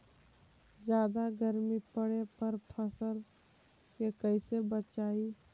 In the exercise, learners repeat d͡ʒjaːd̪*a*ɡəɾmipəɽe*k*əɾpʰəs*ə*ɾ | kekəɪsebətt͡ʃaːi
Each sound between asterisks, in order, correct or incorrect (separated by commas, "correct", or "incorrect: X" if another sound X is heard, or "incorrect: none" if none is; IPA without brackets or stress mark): correct, incorrect: p, correct